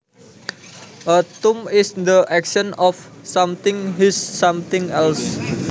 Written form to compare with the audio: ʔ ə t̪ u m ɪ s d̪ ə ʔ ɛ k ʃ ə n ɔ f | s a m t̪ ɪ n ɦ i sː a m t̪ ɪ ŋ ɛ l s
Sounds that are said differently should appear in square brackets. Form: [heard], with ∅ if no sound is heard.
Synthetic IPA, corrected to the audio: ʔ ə t̪ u m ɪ s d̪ ə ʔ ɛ k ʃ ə n ɔ f | s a m t̪ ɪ [ŋ] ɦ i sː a m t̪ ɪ ŋ ɛ l s

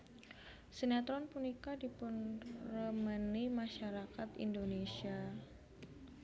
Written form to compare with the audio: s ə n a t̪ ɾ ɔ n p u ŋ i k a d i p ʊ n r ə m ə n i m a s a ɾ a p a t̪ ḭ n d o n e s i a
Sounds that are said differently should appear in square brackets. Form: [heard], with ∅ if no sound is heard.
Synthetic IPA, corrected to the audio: s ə n a t̪ ɾ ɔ n p u [n] i k a d i p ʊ n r ə m ə n i m a [ʃ] a ɾ a [k] a t̪ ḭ n d o n e s i a

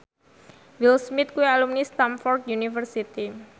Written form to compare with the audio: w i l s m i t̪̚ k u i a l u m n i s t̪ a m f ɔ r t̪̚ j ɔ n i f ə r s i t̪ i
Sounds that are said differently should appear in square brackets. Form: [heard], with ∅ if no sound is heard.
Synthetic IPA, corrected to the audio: w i l s m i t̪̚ k u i a l u m n i s t̪ a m f ɔ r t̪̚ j [u] n i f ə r s i t̪ i

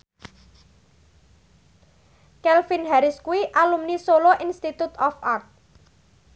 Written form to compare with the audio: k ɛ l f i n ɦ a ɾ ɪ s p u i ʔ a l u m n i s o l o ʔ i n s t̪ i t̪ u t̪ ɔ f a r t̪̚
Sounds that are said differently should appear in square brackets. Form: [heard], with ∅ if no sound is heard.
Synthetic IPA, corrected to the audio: k ɛ l f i n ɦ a ɾ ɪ s [k] u i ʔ a l u m n i s o l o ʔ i n s t̪ i t̪ u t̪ ɔ f a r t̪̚

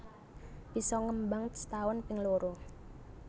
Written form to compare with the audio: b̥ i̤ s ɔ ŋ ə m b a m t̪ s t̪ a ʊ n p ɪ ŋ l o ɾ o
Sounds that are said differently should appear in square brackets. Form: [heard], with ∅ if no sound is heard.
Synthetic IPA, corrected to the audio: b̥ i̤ s ɔ ŋ ə m b a [ŋ] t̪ s t̪ a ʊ n p ɪ ŋ l o ɾ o

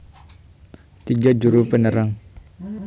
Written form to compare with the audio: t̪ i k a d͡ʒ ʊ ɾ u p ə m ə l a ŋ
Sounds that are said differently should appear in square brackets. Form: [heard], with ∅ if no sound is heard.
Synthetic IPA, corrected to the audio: t̪ i [ɡ] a d͡ʒ [u] ɾ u p ə [n] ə [ɾ] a ŋ

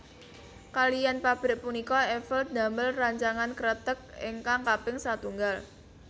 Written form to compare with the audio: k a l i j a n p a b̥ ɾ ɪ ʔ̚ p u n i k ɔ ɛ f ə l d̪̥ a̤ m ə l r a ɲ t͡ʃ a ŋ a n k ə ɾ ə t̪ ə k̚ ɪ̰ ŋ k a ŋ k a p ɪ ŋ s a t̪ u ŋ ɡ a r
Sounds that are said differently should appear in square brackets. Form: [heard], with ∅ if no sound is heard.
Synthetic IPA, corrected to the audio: k a l i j a n p a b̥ ɾ ɪ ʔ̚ p u n i k ɔ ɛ f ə l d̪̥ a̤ m ə l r a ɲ t͡ʃ a ŋ a n k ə ɾ ə t̪ ə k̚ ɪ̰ ŋ k a ŋ k a p ɪ ŋ s a t̪ u ŋ ɡ a [l]

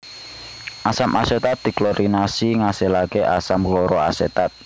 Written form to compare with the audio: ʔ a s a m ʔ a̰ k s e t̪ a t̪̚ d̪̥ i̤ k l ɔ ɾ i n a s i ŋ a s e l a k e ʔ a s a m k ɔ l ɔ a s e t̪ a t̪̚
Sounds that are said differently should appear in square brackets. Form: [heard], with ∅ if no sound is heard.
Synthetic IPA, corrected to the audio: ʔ a s a m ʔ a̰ [∅] s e t̪ a t̪̚ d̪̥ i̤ k l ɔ ɾ i n a s i ŋ a s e l a k e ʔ a s a m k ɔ [ɾ] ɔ a s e t̪ a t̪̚

